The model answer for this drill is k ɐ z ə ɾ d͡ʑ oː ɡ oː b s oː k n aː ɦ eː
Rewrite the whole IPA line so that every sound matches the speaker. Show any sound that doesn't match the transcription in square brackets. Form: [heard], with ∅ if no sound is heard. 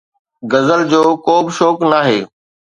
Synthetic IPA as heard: [ɡ] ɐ z ə [l] d͡ʑ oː [k] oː b [ʃ] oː k n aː ɦ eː